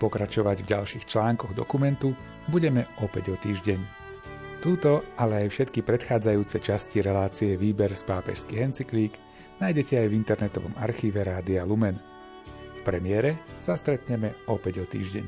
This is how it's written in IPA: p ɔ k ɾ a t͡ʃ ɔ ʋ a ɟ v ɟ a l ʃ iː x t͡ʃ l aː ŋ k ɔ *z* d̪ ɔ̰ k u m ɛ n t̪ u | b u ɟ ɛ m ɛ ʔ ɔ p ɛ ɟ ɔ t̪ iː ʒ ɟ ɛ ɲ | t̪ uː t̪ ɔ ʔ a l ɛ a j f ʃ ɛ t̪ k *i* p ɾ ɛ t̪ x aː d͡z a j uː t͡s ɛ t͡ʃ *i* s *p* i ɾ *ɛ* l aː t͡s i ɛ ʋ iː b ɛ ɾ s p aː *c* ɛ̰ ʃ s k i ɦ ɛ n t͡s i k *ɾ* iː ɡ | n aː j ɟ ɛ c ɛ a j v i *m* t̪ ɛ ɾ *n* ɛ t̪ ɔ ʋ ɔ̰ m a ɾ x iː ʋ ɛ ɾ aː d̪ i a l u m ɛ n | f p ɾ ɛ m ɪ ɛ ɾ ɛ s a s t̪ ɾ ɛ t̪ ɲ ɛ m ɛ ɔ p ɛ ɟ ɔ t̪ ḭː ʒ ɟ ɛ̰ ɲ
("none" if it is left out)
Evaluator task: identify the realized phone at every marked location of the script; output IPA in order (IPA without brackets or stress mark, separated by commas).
ɣ, i, a, c, ɛ, p, l, n, n